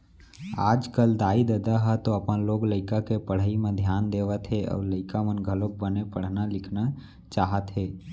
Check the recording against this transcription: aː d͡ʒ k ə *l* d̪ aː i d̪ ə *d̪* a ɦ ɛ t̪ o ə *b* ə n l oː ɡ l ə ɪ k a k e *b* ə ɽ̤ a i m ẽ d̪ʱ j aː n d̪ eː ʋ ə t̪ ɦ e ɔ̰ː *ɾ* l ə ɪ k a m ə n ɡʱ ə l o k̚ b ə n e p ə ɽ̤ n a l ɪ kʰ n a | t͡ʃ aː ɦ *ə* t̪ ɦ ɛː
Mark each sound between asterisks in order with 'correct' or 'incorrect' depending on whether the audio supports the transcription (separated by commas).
correct, correct, incorrect, incorrect, correct, correct